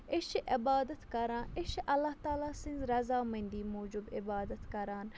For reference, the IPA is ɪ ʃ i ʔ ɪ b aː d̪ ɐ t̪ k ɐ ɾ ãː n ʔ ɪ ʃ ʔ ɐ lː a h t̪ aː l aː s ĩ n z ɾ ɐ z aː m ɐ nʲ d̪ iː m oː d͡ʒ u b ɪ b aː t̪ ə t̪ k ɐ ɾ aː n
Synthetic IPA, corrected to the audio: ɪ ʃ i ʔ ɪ b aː d̪ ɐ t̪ k ɐ ɾ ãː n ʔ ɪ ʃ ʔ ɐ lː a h t̪ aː l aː s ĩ n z ɾ ɐ z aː m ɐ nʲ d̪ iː m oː d͡ʒ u b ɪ b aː d̪ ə t̪ k ɐ ɾ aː n